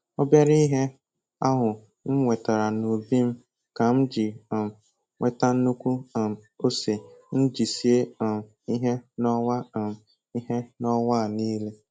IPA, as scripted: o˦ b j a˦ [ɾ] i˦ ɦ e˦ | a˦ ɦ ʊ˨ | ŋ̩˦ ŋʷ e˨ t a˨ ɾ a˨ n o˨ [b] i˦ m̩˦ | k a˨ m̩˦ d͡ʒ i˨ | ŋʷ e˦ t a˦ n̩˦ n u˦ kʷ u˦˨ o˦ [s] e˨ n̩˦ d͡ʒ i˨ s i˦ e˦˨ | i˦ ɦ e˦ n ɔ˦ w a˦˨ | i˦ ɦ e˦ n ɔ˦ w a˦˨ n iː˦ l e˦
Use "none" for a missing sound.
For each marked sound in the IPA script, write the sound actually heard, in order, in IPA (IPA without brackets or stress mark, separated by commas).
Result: ɾ, b, s